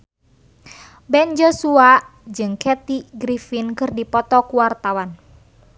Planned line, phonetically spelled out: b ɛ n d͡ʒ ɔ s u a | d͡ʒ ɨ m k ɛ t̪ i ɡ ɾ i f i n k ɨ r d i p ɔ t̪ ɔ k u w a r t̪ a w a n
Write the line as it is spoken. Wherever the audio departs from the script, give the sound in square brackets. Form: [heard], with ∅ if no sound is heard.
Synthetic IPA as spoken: b ɛ n d͡ʒ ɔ s u a | d͡ʒ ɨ [ŋ] k ɛ t̪ i ɡ ɾ i f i n k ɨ r d i p ɔ t̪ ɔ k u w a r t̪ a w a n